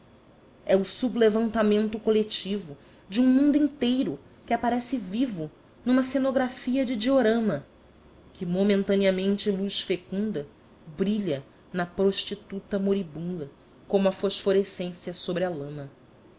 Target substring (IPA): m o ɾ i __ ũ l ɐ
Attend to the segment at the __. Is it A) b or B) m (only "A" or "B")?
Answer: A